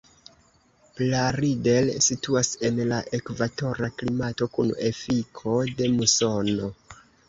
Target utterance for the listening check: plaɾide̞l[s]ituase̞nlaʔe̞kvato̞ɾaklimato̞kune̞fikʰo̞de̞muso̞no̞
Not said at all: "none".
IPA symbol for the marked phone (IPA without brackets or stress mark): s